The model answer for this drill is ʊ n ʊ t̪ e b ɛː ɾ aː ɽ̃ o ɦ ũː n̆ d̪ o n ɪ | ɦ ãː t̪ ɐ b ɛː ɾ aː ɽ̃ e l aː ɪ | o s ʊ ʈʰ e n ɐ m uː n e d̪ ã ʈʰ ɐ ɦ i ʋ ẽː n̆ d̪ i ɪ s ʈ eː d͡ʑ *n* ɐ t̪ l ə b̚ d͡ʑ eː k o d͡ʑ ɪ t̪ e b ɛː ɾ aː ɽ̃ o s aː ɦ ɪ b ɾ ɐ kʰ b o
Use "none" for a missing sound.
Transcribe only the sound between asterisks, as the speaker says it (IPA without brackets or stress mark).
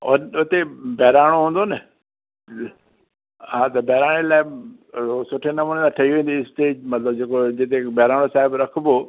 m